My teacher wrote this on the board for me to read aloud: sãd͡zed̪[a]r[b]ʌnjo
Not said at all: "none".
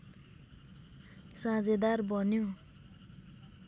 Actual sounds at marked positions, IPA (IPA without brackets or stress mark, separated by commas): a, b